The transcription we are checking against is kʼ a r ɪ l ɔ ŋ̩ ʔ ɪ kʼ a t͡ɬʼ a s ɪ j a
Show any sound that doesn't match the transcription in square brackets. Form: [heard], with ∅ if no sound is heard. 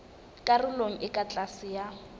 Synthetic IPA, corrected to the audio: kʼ a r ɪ l [o] ŋ̩ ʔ ɪ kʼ a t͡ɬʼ a s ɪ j a